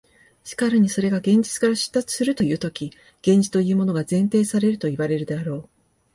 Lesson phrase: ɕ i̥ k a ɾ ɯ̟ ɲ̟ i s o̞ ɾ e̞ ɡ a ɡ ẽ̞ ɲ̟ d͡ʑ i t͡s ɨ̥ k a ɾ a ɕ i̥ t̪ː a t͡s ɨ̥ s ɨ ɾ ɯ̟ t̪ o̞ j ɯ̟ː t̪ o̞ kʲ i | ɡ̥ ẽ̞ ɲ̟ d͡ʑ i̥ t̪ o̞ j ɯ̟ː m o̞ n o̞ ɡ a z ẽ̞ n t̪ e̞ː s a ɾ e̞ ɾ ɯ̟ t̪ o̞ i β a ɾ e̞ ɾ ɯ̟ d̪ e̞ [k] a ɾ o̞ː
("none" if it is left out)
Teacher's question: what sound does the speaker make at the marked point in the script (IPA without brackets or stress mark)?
none